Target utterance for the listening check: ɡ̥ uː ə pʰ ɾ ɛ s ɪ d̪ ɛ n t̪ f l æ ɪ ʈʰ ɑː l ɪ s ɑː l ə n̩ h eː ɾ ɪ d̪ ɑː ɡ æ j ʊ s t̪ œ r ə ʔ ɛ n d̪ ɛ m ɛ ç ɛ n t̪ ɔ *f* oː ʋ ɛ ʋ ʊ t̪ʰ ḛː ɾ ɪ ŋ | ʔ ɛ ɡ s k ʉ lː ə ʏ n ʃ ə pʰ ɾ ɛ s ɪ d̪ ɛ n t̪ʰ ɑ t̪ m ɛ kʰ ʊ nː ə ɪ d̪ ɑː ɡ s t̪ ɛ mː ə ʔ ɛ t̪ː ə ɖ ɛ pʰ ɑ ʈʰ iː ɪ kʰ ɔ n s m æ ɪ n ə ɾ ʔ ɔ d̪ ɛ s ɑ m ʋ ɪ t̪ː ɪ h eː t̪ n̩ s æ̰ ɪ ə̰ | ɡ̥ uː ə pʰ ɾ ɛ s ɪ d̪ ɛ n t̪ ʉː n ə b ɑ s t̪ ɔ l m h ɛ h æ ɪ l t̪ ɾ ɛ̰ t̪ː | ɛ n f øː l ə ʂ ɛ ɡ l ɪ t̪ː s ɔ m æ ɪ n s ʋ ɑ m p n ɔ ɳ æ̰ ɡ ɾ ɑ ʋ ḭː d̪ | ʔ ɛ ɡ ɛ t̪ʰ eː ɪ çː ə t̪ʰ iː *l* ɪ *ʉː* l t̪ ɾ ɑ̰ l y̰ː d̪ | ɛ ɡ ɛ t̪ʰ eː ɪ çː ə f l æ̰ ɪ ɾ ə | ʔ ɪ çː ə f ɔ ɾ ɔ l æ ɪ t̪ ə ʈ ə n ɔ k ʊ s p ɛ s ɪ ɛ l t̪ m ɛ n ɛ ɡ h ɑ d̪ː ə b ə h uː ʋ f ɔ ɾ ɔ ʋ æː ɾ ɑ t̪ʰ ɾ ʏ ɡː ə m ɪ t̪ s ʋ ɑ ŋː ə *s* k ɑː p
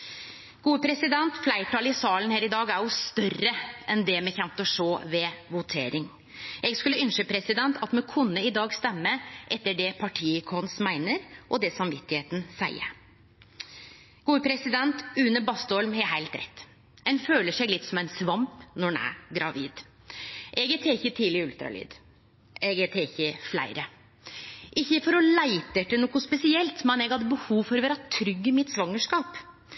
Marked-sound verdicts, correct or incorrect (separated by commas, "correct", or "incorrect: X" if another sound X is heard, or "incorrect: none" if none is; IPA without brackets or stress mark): incorrect: ʂ, correct, incorrect: ʉ, incorrect: ʂ